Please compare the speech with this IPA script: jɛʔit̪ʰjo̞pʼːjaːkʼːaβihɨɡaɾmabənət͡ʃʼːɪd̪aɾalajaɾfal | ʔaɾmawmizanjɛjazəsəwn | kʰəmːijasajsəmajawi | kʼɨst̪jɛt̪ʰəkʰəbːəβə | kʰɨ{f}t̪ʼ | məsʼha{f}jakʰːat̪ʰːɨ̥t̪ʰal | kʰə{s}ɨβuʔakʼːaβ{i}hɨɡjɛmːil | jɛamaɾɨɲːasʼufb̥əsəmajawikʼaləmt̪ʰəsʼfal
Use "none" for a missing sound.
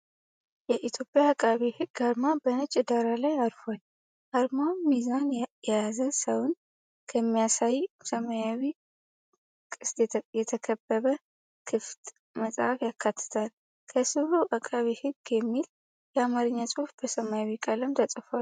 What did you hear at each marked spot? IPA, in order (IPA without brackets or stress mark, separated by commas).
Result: f, f, s, i